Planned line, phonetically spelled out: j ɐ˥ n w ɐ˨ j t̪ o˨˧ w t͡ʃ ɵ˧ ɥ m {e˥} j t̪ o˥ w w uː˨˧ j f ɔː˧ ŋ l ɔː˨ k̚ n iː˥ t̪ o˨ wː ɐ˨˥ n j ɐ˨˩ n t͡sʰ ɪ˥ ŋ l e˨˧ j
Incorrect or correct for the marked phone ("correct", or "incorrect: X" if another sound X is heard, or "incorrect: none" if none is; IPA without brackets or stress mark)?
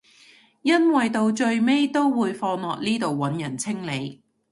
correct